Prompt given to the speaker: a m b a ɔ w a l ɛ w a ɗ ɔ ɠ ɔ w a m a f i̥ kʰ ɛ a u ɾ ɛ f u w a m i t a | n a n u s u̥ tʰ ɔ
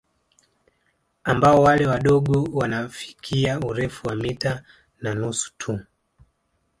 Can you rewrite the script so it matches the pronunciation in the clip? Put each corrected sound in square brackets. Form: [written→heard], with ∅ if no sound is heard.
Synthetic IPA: a m b a ɔ w a l ɛ w a ɗ ɔ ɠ ɔ w a [m→n] a f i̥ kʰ [ɛ→i] a u ɾ ɛ f u w a m i t a | n a n u s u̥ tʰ [ɔ→u]